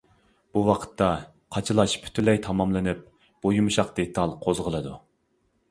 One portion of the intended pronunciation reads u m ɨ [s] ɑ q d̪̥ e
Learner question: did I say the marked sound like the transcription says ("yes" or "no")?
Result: no